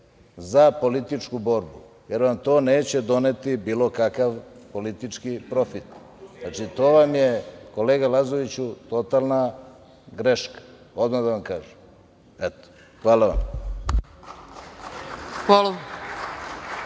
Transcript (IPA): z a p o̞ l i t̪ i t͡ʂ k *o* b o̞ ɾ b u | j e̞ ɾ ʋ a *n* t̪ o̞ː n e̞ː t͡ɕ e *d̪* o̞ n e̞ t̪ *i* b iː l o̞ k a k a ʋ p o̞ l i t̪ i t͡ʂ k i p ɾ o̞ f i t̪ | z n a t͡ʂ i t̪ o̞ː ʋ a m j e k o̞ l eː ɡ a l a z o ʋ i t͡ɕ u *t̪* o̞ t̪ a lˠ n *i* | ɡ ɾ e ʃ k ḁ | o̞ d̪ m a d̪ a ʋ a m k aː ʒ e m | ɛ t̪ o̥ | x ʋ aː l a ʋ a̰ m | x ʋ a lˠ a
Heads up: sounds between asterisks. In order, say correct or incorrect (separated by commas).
incorrect, incorrect, correct, correct, correct, incorrect